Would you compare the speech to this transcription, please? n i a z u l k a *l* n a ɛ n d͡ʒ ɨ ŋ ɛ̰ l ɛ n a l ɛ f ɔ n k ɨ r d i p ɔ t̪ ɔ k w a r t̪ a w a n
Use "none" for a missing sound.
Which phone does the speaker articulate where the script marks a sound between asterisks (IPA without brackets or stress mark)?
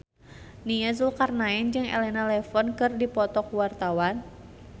r